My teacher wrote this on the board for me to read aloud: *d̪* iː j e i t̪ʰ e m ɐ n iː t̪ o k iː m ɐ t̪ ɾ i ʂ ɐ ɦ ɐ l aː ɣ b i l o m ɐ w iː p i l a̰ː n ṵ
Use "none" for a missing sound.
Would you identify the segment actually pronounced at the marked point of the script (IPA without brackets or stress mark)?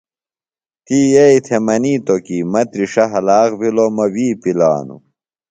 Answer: t̪